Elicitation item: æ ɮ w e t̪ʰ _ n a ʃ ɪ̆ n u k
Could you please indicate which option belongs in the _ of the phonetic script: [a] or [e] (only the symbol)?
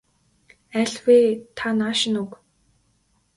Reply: a